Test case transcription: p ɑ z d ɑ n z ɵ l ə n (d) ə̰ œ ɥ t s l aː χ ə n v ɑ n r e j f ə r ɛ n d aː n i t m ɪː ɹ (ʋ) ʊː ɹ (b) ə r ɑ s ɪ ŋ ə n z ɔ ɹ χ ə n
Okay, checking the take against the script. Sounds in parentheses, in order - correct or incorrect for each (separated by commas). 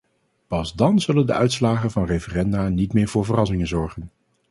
correct, incorrect, incorrect